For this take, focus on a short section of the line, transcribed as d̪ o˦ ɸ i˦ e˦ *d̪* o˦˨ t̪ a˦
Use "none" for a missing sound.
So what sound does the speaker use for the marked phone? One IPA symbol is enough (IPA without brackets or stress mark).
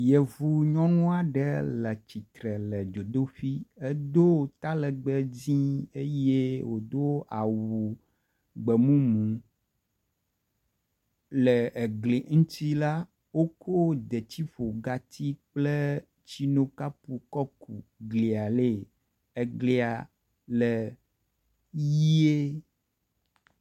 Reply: d̪